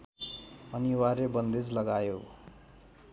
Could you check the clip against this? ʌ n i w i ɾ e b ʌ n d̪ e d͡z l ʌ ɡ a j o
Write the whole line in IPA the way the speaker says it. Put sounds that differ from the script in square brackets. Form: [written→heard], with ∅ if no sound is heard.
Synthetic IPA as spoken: ʌ n i w [i→a] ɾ e b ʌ n d̪ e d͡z l ʌ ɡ a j o